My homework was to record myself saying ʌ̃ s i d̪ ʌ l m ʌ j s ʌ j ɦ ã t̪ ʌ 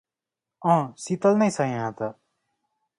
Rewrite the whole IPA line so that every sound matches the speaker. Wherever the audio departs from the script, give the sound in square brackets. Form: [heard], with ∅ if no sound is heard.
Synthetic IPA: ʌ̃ s i [t̪] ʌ l [n] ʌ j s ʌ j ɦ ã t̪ ʌ